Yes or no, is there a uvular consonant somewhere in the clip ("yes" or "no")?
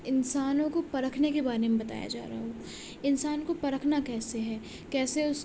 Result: no